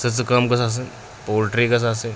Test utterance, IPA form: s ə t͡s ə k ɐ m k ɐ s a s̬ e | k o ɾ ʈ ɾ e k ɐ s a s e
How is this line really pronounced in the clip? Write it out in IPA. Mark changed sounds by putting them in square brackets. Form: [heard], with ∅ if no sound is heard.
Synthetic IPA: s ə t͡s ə k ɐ m k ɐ s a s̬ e | [p] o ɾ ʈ ɾ [i] k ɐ s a s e